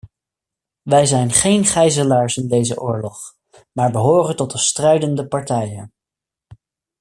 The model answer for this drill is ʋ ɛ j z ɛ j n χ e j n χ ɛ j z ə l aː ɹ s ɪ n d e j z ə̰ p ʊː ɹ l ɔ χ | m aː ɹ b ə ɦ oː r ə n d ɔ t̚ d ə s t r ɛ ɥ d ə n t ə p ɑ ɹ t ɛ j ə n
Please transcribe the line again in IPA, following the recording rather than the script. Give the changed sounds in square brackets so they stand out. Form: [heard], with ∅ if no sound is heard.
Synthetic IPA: ʋ ɛ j z ɛ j n χ e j n χ ɛ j z ə l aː ɹ s ɪ n d e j z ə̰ [ʔ] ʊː ɹ l ɔ χ | m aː ɹ b ə ɦ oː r ə n [t] ɔ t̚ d ə s t r ɛ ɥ d ə n [d] ə p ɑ ɹ t ɛ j ə n